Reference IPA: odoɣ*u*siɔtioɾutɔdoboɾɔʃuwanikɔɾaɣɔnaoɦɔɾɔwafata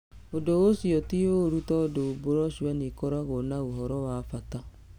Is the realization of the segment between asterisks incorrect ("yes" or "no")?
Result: yes